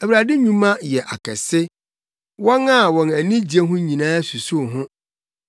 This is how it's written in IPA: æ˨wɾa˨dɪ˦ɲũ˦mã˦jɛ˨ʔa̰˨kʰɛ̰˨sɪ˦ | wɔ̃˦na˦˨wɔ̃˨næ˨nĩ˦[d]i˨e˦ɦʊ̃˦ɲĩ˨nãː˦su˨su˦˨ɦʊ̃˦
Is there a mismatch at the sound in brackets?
yes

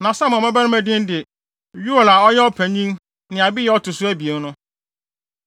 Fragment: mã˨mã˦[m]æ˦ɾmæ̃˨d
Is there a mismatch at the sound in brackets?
yes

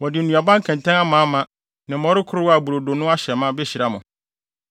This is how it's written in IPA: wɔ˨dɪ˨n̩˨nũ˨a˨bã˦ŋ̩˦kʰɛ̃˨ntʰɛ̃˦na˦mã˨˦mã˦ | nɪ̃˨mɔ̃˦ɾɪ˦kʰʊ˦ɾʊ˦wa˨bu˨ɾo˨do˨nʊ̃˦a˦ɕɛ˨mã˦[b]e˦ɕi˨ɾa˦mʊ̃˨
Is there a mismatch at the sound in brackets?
no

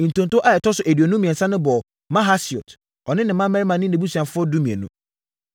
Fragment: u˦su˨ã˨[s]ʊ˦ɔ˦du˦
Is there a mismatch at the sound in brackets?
yes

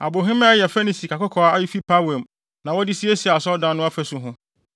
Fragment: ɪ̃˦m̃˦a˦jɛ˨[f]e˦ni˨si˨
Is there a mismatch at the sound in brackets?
no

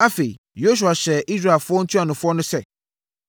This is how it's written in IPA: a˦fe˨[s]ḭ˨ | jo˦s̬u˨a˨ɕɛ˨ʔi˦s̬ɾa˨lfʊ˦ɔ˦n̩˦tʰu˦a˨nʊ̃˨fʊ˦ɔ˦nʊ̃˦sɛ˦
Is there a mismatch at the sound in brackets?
yes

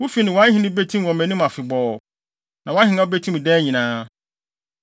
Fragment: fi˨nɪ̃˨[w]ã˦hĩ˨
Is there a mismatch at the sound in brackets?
no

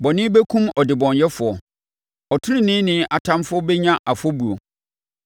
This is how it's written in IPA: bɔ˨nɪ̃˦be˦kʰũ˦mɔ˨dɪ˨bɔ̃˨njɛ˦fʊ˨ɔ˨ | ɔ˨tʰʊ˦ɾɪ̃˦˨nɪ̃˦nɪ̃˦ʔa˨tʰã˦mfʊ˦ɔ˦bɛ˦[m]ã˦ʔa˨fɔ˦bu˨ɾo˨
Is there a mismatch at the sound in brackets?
yes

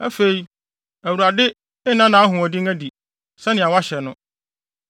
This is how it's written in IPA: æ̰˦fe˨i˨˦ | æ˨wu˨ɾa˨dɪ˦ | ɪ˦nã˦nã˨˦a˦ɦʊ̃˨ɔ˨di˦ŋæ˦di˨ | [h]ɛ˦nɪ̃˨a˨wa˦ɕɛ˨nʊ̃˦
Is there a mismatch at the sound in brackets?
yes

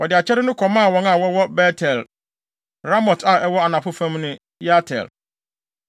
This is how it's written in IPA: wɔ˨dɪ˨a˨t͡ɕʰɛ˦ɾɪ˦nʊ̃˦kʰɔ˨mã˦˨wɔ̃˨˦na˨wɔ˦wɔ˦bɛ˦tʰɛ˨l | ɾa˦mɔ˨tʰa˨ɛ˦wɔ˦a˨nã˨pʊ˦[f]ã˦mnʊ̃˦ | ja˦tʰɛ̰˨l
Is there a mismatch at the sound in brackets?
no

